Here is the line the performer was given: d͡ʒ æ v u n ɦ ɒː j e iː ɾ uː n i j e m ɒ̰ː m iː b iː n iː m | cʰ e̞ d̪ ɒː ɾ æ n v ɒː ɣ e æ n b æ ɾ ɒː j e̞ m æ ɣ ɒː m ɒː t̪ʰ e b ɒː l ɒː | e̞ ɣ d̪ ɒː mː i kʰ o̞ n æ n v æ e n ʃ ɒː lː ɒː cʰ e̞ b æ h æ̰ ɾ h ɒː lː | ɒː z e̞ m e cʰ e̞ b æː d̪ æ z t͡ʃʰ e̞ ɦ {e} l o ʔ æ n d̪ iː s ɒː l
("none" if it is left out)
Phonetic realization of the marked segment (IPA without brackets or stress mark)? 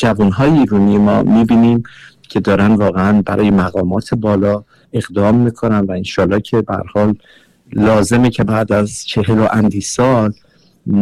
e